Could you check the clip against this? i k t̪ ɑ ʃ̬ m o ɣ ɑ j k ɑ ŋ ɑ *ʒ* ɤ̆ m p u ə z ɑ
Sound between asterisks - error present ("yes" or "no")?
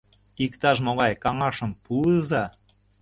yes